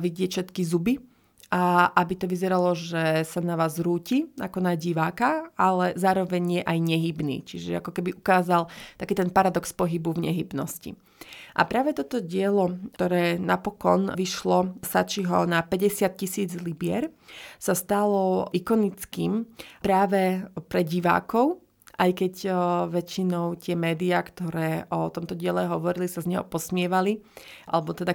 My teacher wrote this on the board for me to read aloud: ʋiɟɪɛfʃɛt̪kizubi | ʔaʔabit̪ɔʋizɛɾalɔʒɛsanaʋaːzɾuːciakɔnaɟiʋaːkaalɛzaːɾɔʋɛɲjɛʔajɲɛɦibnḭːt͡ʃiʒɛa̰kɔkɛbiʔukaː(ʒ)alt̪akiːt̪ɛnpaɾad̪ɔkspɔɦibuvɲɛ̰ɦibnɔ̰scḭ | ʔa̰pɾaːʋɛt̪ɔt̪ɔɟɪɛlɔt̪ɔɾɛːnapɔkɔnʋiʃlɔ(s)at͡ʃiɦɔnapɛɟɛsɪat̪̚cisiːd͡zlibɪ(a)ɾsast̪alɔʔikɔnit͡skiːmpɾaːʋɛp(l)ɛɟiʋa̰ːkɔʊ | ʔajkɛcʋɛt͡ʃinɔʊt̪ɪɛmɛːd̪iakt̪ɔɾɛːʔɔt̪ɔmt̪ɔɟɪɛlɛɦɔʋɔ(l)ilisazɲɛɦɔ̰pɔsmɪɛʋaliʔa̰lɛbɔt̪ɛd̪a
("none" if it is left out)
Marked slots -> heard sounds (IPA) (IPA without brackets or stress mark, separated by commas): z, s, ɛ, ɾ, ɾ